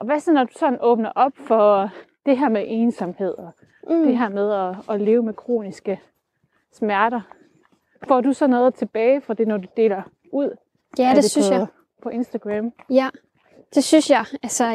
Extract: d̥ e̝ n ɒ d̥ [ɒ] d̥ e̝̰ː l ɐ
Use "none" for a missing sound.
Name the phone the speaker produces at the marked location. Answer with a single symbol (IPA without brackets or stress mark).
u